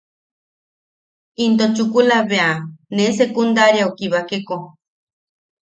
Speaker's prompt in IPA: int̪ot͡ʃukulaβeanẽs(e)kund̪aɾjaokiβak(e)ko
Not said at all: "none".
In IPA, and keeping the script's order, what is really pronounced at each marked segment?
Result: e, e

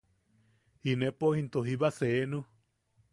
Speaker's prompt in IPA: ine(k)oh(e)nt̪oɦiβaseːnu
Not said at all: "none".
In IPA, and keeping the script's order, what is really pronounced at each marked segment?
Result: p, i

